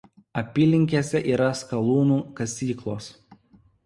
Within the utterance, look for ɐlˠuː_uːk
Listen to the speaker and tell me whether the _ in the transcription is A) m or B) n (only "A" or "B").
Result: B